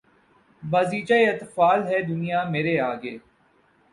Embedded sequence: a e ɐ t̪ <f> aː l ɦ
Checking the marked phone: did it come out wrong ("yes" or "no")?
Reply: no